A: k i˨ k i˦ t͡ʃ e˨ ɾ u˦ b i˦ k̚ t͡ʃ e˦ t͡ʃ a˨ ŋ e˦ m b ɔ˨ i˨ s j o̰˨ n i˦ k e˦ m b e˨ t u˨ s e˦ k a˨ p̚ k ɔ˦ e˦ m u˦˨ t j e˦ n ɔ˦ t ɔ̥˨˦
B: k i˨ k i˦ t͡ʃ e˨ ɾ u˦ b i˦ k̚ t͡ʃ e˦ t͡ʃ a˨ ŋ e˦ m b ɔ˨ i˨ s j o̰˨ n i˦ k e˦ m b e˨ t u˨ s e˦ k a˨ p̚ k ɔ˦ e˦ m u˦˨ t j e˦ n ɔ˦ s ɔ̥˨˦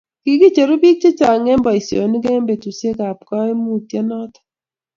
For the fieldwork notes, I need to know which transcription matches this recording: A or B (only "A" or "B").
A